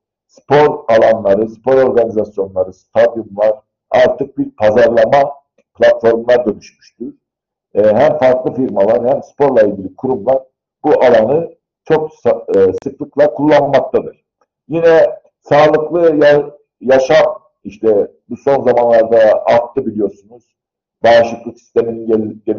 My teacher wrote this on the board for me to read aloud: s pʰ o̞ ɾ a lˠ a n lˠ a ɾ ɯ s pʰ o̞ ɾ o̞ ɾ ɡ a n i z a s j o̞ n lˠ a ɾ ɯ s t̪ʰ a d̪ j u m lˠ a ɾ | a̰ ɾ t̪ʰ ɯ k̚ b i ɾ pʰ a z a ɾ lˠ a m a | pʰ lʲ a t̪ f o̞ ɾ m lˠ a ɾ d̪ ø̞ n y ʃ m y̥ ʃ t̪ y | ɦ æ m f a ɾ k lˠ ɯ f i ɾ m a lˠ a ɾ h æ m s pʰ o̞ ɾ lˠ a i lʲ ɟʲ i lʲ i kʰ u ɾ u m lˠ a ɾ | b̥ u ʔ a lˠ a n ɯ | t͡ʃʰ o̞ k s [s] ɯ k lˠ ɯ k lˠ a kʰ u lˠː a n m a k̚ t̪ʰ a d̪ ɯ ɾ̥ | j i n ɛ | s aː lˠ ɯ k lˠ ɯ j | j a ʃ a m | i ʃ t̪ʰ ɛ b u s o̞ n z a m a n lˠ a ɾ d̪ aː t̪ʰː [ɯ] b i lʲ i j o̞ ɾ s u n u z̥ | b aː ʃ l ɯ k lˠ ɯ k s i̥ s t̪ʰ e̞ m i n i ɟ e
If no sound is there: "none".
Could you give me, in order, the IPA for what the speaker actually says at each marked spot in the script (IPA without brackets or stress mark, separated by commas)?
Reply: s, ɯ